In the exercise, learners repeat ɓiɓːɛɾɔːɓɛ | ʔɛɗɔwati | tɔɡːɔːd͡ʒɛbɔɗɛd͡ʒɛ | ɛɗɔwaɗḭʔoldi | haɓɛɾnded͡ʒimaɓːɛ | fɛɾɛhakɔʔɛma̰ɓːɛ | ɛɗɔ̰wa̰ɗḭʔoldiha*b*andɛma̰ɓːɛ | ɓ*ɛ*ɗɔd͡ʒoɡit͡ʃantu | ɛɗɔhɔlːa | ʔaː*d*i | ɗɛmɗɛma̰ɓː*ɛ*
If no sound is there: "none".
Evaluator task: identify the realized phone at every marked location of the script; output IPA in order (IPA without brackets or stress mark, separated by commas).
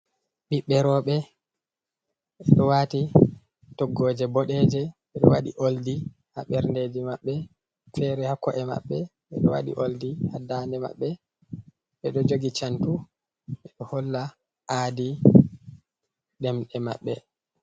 d, ɛ, d, ɛ